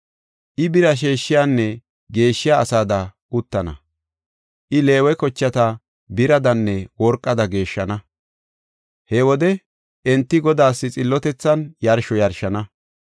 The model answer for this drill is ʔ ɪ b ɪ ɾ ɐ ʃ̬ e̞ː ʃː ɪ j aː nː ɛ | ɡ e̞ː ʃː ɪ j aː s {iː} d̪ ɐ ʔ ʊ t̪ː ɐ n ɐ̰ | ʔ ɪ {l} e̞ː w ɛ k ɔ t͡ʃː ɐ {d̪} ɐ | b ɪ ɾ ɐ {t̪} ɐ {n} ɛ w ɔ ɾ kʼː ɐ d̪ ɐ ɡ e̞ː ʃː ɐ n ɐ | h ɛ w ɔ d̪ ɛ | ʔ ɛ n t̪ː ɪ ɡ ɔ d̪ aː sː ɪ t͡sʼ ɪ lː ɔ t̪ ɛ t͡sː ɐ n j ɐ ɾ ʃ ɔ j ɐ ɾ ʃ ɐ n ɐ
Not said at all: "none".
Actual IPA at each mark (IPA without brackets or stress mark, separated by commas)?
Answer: aː, l, t̪, d̪, nː